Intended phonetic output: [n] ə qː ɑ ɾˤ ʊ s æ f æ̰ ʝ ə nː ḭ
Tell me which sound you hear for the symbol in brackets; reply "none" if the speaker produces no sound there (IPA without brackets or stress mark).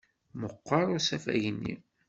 m